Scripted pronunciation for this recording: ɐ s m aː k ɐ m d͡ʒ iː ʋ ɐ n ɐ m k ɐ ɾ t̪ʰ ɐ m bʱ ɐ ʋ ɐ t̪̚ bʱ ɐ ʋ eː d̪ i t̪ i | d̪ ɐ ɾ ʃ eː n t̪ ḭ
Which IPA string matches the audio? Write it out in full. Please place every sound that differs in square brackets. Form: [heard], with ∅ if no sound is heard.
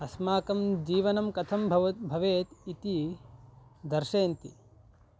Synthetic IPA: ɐ s m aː k ɐ m d͡ʒ iː ʋ ɐ n ɐ m k ɐ [∅] t̪ʰ ɐ m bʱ ɐ ʋ ɐ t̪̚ bʱ ɐ ʋ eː [t̪] i t̪ i | d̪ ɐ ɾ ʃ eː n t̪ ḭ